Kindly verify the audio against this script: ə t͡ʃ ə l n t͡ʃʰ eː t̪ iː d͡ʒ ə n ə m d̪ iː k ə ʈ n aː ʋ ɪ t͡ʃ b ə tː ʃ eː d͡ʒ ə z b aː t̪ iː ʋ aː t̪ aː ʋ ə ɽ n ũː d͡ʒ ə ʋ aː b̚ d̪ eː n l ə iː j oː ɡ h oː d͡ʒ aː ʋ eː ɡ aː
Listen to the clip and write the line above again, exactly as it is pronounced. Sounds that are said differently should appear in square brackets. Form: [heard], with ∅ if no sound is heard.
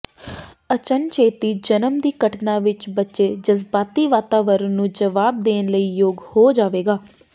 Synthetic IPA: ə t͡ʃ ə [∅] n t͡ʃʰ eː t̪ iː d͡ʒ ə n ə m d̪ iː k ə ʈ n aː ʋ ɪ t͡ʃ b ə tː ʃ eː d͡ʒ ə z b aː t̪ iː ʋ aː t̪ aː ʋ ə [ɾ] n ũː d͡ʒ ə ʋ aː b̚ d̪ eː n l ə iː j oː ɡ h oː d͡ʒ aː ʋ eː ɡ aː

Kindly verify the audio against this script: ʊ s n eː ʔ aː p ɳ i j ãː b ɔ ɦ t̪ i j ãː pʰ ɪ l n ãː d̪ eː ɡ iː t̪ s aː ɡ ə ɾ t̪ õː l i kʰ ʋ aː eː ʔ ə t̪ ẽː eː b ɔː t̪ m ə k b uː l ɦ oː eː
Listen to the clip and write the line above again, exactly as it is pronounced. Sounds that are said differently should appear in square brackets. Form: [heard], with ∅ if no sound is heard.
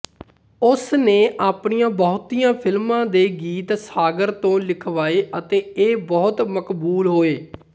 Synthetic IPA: ʊ s n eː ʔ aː p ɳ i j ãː b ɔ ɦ t̪ i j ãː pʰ ɪ l [m] ãː d̪ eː ɡ iː t̪ s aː ɡ ə ɾ t̪ õː l [ɪ] kʰ ʋ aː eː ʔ ə t̪ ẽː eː b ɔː t̪ m ə k b uː l ɦ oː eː

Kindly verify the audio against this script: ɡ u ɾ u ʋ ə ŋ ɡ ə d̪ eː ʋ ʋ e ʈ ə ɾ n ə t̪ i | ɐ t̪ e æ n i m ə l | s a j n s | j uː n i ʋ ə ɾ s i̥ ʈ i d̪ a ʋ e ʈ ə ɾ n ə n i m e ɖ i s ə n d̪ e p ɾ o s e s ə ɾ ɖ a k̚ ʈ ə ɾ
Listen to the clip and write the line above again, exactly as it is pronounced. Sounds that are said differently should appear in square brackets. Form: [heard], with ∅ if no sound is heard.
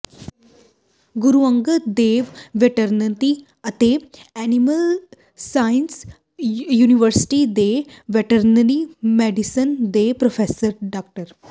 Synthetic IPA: ɡ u ɾ u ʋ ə ŋ ɡ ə d̪ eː ʋ ʋ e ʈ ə ɾ n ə t̪ i | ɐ t̪ e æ n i m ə l | s a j n s | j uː n i ʋ ə ɾ s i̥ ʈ i d̪ [e] ʋ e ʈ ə ɾ n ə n i m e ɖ i s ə n d̪ e p ɾ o [f] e s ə ɾ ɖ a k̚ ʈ ə ɾ

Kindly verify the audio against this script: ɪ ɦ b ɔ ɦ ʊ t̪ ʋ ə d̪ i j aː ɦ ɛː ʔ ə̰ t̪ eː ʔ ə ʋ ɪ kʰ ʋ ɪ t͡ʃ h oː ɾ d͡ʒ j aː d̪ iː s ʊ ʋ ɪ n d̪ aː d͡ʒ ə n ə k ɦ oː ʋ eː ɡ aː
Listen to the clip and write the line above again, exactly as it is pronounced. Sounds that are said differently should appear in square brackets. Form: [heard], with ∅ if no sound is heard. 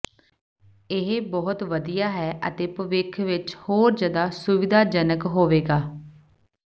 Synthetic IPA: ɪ ɦ b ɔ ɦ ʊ t̪ ʋ ə d̪ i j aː ɦ ɛː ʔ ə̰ t̪ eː [p] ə ʋ ɪ kʰ ʋ ɪ t͡ʃ h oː ɾ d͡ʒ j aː d̪ [aː] s ʊ ʋ ɪ [∅] d̪ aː d͡ʒ ə n ə k ɦ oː ʋ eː ɡ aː

